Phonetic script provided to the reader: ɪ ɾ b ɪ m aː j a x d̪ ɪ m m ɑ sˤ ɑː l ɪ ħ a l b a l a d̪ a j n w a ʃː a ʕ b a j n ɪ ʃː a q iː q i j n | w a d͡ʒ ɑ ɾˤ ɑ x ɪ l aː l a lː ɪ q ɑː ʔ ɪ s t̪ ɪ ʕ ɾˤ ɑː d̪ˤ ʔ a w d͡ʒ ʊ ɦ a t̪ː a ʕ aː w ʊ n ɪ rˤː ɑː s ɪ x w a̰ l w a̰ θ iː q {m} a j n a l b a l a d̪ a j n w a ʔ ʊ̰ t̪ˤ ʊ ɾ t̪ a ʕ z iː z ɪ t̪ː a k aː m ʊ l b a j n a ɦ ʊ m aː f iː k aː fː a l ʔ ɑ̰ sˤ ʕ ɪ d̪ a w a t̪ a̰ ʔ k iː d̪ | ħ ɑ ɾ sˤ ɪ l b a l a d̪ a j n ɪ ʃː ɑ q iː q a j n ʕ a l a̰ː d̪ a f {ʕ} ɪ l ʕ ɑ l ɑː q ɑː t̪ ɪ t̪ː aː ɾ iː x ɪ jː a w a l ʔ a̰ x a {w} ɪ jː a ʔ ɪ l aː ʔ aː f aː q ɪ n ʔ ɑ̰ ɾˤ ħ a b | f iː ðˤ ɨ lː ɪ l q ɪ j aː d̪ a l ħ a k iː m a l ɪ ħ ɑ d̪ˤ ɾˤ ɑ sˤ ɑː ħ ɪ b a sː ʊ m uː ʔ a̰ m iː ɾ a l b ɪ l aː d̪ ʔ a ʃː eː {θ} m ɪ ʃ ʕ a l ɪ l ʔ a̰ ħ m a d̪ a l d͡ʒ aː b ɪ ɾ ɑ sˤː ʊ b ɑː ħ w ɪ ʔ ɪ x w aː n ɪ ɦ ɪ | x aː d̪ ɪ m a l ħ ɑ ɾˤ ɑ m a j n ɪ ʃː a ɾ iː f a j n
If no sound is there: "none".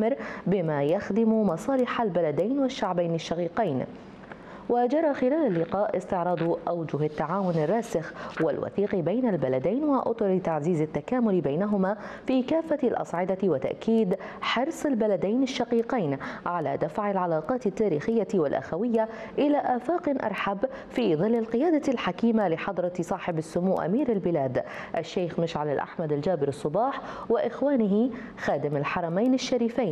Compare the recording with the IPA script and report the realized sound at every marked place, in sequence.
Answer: b, ʕ, w, x

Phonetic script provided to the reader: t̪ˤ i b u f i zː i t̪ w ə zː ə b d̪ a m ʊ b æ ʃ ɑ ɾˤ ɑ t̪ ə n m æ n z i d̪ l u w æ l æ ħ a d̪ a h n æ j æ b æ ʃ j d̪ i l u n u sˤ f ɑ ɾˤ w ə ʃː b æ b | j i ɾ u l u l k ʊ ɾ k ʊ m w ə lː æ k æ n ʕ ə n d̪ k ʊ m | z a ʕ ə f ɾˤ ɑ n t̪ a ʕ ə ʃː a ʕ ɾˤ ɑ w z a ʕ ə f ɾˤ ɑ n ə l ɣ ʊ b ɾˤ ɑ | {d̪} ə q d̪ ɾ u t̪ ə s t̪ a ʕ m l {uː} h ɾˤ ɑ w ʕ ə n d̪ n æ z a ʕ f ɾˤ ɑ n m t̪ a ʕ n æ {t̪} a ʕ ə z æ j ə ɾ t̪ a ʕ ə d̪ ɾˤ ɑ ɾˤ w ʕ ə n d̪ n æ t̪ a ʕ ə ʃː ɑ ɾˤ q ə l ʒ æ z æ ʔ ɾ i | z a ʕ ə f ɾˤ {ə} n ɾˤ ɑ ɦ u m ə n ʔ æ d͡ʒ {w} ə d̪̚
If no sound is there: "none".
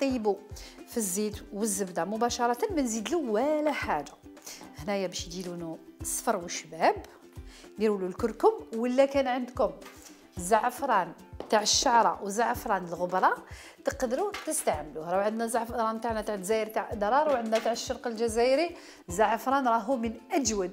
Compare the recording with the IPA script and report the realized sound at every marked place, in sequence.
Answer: t̪, u, t̪, ɑ, w

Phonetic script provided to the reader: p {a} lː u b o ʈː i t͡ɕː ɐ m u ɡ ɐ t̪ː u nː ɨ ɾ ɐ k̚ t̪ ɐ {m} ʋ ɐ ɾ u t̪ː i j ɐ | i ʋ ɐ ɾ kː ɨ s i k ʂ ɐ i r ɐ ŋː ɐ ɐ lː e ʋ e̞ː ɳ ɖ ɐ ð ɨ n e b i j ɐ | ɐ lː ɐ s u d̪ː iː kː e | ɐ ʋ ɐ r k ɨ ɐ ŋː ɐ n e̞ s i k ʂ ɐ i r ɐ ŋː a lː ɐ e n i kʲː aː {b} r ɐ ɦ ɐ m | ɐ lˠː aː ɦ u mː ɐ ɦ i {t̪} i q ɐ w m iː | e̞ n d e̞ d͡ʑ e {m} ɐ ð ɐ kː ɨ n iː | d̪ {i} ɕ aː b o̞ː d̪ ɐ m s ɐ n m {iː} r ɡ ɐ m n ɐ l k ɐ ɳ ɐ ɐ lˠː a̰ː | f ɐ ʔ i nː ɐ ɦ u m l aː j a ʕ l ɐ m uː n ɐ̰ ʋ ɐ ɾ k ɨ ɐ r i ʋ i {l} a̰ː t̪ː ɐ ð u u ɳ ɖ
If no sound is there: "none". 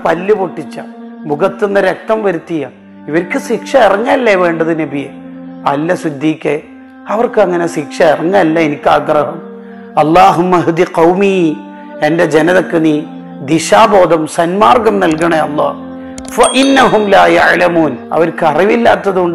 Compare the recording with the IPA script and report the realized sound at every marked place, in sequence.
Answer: ɐ, m, ɡ, d̪, n, i, aː, lː

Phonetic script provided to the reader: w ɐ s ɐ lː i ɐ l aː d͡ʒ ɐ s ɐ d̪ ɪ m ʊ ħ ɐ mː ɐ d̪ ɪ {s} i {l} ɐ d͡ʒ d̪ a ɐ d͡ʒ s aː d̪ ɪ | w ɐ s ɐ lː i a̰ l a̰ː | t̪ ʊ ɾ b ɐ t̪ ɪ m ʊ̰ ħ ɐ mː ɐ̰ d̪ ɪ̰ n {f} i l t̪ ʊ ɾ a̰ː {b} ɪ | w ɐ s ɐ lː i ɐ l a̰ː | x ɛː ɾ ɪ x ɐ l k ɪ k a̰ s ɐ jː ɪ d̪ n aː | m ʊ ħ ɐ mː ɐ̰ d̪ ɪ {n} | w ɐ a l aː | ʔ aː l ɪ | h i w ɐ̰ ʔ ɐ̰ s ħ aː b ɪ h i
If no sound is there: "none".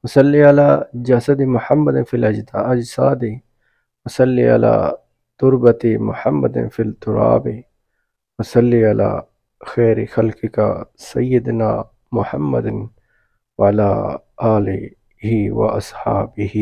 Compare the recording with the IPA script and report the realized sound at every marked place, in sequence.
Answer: f, l, f, b, n

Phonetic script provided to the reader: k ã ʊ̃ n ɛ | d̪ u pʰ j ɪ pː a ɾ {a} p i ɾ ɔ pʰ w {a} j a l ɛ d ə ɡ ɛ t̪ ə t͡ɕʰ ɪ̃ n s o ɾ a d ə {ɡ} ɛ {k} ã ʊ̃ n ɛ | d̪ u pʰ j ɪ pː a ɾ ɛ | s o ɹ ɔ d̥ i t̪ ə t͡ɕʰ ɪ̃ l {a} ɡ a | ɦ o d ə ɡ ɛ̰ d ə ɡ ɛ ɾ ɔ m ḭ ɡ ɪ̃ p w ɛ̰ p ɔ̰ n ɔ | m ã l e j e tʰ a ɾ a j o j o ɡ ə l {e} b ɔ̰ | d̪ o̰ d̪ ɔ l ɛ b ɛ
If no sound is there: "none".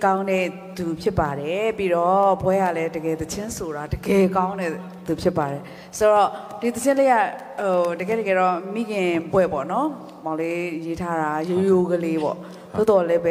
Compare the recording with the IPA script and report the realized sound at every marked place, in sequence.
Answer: ɛ, ɛ, ɡ, k, e, e

